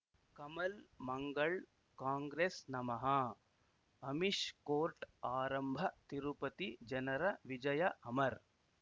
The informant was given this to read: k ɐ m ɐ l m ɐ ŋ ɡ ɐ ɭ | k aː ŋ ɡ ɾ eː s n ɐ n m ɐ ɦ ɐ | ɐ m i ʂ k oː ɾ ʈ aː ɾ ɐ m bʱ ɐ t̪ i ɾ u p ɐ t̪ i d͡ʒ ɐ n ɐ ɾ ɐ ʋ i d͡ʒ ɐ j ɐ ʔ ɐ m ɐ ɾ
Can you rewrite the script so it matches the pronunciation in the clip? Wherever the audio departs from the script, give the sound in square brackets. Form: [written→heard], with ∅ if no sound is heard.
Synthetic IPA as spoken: k ɐ m ɐ l m ɐ ŋ ɡ ɐ ɭ | k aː ŋ ɡ ɾ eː s n ɐ [n→∅] m ɐ ɦ ɐ | ɐ m i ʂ k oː ɾ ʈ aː ɾ ɐ m bʱ ɐ t̪ i ɾ u p ɐ t̪ i d͡ʒ ɐ n ɐ ɾ ɐ ʋ i d͡ʒ ɐ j ɐ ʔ ɐ m ɐ ɾ